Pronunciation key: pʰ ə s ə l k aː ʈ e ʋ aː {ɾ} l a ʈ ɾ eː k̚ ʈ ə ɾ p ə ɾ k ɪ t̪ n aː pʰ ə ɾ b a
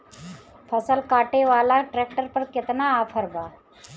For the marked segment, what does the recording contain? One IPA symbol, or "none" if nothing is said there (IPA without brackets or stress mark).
none